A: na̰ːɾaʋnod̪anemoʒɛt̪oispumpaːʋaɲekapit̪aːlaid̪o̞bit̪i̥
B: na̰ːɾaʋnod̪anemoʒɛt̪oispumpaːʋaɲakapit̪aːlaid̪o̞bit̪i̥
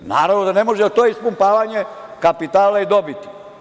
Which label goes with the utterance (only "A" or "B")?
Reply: A